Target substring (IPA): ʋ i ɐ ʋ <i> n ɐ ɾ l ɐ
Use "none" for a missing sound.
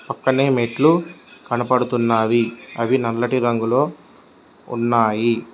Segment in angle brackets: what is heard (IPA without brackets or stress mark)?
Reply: i